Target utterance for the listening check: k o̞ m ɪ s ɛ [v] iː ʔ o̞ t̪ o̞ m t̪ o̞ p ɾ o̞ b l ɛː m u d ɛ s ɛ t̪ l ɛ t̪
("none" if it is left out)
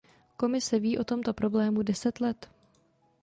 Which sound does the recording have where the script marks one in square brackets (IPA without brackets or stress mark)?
v